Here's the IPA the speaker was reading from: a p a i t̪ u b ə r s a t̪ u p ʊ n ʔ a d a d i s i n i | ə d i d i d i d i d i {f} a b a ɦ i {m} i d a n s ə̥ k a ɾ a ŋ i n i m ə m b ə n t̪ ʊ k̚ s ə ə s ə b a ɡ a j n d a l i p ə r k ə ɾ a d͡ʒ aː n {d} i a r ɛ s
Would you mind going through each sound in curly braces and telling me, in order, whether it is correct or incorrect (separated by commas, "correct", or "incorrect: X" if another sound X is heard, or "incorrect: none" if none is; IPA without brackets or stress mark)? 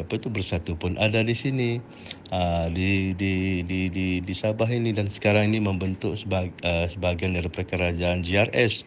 incorrect: s, incorrect: n, incorrect: d͡ʒ